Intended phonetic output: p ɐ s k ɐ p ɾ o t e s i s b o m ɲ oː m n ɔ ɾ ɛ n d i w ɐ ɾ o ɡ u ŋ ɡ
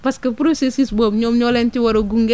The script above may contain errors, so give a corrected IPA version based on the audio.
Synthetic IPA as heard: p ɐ s k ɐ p ɾ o s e s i s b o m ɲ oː m ɲ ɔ l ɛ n t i w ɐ ɾ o ɡ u ŋ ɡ